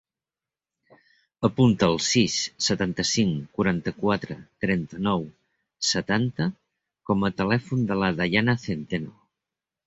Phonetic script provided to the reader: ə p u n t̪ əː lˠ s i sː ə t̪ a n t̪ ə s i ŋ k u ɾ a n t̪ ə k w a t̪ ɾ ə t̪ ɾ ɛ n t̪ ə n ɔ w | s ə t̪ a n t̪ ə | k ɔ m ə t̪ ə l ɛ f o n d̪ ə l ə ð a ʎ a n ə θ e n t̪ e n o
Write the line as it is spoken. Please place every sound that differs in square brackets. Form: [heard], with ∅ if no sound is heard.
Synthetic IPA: ə p u n t̪ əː lˠ s i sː ə t̪ a n t̪ ə s i ŋ k u ɾ a n t̪ ə k w a t̪ ɾ ə t̪ ɾ ɛ n t̪ ə n ɔ w | s ə t̪ a n t̪ ə | k ɔ m ə t̪ ə l ɛ f [u] n d̪ ə l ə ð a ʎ a n ə θ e n t̪ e n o

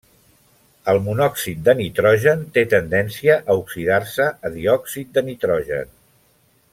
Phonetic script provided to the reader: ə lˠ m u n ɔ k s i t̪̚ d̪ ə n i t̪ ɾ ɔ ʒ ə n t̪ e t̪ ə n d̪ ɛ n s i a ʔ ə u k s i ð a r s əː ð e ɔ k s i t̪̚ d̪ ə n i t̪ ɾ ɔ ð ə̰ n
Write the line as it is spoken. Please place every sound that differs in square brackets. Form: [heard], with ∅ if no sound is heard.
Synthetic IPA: ə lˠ m u n ɔ k s i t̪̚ d̪ ə n i t̪ ɾ ɔ ʒ ə n t̪ e t̪ ə n d̪ ɛ n s i [ə] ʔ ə u k s i ð a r s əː ð [i] ɔ k s i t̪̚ d̪ ə n i t̪ ɾ ɔ [ʒ] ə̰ n

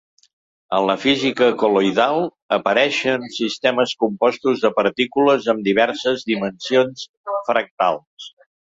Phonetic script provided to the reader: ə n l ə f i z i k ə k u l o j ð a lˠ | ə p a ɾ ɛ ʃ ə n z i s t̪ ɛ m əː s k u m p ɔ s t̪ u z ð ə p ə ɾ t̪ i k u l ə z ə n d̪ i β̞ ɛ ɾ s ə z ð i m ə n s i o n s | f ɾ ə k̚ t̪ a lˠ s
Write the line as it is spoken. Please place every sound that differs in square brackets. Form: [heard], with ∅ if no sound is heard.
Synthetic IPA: ə n l ə f i z i k ə k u l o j ð a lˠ | ə p [ə] ɾ ɛ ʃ ə n [s] i s t̪ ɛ m [ə] s k u m p ɔ s t̪ u z ð ə p ə ɾ t̪ i k u l ə z ə [m] d̪ i β̞ ɛ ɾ s ə z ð i m ə n s i o n s | f ɾ ə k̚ t̪ a lˠ s

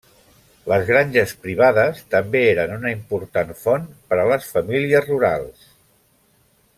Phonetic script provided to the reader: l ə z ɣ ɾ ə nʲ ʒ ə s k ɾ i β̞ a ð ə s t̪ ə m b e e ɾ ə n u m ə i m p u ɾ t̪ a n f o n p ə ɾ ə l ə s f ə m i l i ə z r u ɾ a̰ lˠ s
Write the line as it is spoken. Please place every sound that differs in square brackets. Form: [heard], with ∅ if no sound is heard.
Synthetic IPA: l ə z ɣ ɾ [a] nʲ ʒ ə s [p] ɾ i β̞ a ð ə s t̪ ə m b e e ɾ ə n u [n] ə i m p u ɾ t̪ a n f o n p ə ɾ ə l ə s f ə m i l i ə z r u ɾ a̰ lˠ s

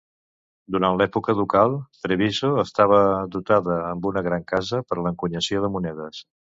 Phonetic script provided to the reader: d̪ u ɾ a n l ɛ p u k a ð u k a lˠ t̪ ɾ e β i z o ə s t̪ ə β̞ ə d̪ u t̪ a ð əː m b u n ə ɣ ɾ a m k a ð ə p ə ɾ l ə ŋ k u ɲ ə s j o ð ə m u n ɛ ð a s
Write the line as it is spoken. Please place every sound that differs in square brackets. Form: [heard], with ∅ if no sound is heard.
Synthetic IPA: d̪ u ɾ a n l ɛ p u k [ə] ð u k a lˠ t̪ ɾ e β i z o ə s t̪ [a] β̞ ə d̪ u t̪ a ð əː m b u n ə ɣ ɾ a [ŋ] k a [z] ə p ə ɾ l ə ŋ k u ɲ ə s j o ð ə m u n ɛ ð [ə] s

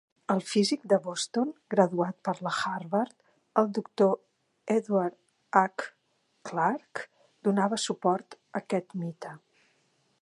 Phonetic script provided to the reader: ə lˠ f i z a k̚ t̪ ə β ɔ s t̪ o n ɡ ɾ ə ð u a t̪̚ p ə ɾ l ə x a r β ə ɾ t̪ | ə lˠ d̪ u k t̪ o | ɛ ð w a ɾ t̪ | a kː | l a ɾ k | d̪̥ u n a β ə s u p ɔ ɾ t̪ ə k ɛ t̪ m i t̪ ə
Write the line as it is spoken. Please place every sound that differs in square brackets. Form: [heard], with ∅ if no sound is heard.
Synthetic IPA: ə lˠ f i z [i] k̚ [d̪] ə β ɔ s t̪ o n ɡ ɾ ə ð u a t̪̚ p ə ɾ l ə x a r β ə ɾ t̪ | ə lˠ d̪ u k t̪ o | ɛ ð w a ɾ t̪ | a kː | l a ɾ k | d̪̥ u n a β ə s u p ɔ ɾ t̪ ə k ɛ t̪ m i t̪ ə

